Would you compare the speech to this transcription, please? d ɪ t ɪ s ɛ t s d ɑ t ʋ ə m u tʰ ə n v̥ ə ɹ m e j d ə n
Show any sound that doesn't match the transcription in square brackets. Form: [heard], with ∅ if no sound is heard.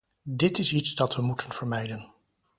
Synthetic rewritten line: d ɪ t ɪ s [i] t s d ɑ t ʋ ə m u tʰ ə n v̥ ə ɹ m [ɛ] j d ə n